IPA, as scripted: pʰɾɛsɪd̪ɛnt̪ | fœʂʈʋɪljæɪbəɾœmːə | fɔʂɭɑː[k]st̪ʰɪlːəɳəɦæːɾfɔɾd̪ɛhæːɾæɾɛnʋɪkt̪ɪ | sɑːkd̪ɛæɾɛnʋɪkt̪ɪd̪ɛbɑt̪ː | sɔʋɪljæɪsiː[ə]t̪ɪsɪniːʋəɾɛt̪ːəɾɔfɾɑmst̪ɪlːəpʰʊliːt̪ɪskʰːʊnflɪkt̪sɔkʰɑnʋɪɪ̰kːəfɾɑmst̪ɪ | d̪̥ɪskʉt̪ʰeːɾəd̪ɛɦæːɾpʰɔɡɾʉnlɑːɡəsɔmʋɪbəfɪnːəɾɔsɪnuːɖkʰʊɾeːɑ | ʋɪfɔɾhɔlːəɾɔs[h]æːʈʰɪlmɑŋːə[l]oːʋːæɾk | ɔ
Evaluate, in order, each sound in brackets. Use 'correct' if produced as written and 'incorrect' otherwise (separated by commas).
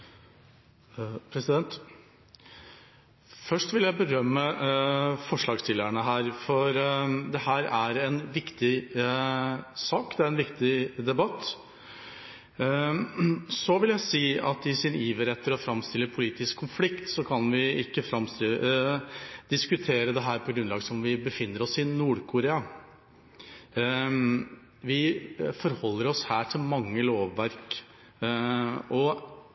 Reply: incorrect, incorrect, correct, correct